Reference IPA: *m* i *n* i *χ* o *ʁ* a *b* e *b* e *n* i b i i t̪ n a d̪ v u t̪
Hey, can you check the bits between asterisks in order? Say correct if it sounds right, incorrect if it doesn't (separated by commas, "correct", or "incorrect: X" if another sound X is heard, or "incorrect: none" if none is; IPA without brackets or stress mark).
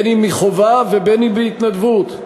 incorrect: n, incorrect: m, correct, incorrect: v, incorrect: v, correct, correct